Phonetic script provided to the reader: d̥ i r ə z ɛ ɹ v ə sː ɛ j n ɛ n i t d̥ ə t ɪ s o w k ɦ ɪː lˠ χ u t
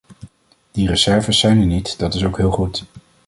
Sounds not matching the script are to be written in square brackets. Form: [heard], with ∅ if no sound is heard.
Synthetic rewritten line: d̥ i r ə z ɛ ɹ v ə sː ɛ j n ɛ n i t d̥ [ɑ] t ɪ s o w k ɦ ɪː lˠ χ u t